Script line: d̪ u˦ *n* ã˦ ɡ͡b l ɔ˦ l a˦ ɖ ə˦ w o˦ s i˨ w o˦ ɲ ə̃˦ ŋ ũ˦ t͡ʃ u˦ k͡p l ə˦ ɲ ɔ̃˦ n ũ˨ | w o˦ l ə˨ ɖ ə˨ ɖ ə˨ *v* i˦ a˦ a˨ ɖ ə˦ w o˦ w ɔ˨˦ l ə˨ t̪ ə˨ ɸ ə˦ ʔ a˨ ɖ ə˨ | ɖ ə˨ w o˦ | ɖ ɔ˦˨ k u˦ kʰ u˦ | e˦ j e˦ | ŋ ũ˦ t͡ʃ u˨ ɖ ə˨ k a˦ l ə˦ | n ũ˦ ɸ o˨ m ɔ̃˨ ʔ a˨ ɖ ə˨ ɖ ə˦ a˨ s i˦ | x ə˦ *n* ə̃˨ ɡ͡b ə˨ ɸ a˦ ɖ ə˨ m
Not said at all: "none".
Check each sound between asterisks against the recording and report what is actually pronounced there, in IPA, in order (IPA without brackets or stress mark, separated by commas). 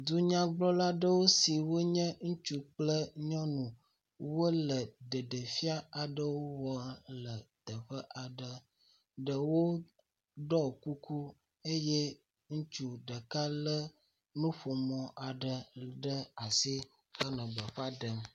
ɲ, f, n